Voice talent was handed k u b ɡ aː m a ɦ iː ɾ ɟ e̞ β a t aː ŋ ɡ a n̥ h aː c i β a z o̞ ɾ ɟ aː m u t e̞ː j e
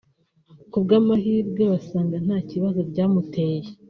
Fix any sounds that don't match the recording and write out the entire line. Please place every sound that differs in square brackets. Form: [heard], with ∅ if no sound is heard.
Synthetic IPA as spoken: k u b ɡ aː m a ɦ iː ɾ [ɡ] e̞ β a [s] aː ŋ ɡ a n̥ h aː c i β a z o̞ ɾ ɟ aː m u t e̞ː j e

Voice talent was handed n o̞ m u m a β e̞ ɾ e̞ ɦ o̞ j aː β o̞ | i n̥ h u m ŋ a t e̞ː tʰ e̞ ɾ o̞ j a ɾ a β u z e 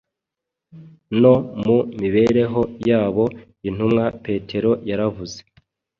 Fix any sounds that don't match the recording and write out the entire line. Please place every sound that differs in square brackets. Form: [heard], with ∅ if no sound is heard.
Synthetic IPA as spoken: n o̞ m u m [i] β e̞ ɾ e̞ ɦ o̞ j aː β o̞ | i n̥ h u m ŋ a [p] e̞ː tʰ e̞ ɾ o̞ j a ɾ a [v] u z e

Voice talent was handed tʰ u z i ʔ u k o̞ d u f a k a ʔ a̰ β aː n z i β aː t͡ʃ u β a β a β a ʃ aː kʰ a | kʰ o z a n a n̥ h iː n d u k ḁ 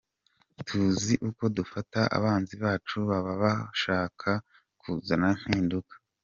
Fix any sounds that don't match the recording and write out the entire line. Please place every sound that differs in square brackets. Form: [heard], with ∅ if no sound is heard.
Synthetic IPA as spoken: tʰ u z i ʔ u k o̞ d u f a [t] a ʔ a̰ β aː n z i β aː t͡ʃ u β a β a β a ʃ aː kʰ a | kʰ [u] z a n a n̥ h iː n d u k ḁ

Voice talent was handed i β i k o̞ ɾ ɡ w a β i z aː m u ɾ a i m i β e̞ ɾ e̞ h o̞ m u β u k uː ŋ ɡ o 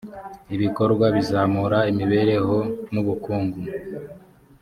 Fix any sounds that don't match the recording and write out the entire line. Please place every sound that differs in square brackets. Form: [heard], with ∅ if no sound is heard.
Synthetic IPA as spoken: i β i k o̞ ɾ ɡ w a β i z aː m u ɾ a i m i β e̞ ɾ e̞ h o̞ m u β u k uː ŋ ɡ [u]

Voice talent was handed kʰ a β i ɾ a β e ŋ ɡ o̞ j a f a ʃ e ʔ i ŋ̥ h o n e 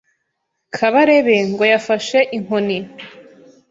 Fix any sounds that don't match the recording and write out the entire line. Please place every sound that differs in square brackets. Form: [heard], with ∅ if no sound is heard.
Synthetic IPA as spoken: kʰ a β [a] ɾ [e] β e ŋ ɡ o̞ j a f a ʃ e ʔ i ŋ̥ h o n [i]

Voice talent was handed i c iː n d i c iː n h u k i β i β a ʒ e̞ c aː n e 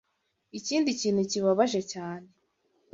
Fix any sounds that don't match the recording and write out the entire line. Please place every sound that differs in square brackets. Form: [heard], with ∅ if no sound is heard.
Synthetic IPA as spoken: i c iː n d i c iː n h u [c] i β [a] β a ʒ e̞ c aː n e

